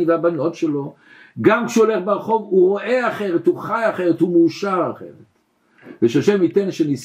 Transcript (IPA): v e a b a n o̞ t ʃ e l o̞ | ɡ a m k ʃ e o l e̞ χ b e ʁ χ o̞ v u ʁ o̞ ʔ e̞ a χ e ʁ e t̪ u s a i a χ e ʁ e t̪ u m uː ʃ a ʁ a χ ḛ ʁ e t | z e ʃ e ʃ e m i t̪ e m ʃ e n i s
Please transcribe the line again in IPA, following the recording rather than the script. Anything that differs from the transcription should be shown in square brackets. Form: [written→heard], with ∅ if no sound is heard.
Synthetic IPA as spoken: v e a b a n o̞ t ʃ e l o̞ | ɡ a m k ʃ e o l e̞ χ b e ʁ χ o̞ v u ʁ o̞ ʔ e̞ a χ e ʁ e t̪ u [s→χ] a [i→j] a χ e ʁ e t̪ u m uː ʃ a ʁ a χ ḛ ʁ e t | [z→v] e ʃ [e→a] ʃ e m i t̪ e [m→n] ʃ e n i s